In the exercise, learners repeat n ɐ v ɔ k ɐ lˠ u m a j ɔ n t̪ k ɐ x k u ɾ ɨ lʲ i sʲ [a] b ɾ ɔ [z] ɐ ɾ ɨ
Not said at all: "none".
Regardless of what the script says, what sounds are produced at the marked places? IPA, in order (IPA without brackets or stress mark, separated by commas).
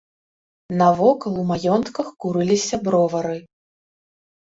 ɐ, v